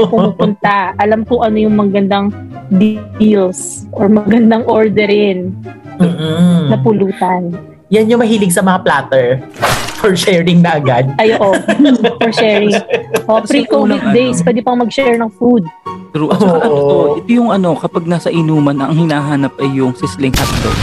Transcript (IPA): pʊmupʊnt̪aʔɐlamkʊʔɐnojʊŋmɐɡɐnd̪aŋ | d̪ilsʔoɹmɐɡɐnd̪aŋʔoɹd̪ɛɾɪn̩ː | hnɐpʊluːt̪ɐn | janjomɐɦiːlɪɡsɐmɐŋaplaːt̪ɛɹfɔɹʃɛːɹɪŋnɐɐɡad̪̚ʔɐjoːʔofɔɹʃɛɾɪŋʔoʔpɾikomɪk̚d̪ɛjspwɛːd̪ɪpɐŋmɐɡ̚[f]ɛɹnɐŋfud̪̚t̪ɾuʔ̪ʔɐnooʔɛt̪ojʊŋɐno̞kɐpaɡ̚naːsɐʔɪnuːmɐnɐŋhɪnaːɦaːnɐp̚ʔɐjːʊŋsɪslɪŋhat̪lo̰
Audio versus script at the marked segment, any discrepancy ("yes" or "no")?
yes